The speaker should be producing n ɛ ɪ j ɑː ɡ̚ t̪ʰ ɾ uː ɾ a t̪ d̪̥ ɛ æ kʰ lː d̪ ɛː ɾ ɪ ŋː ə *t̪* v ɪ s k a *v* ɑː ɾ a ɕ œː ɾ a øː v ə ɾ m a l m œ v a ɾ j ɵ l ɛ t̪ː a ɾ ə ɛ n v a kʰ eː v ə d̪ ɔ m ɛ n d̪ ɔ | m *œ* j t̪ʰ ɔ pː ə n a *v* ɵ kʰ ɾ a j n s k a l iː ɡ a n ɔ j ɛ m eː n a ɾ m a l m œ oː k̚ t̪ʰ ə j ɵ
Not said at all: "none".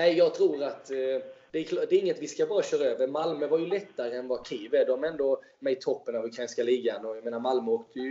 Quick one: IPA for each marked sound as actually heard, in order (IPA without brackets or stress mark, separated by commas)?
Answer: t̪, b, ɛ, v